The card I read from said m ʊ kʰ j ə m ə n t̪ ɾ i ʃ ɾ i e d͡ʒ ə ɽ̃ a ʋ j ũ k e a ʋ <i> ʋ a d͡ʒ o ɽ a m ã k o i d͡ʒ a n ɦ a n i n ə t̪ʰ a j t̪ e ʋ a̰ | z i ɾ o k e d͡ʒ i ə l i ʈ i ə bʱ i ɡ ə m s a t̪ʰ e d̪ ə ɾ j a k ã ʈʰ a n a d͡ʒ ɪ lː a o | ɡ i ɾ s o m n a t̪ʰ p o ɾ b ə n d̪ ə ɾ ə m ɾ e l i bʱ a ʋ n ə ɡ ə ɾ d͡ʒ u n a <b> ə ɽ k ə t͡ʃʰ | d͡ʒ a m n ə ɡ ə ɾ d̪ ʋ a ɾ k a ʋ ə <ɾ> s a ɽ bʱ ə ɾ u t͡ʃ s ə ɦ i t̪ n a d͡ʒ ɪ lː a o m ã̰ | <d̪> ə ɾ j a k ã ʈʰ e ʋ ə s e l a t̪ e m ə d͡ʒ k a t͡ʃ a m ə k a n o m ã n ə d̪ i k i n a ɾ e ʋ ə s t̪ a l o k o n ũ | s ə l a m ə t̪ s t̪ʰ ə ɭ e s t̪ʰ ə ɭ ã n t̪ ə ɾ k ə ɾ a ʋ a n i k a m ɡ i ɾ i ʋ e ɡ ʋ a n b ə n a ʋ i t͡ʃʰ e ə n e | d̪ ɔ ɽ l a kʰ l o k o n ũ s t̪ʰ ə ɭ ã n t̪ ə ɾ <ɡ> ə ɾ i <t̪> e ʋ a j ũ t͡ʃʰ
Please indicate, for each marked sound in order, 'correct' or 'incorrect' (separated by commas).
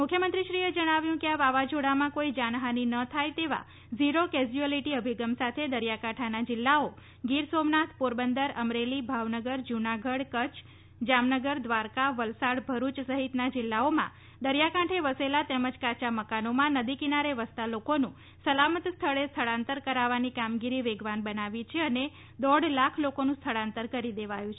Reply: incorrect, incorrect, incorrect, correct, incorrect, incorrect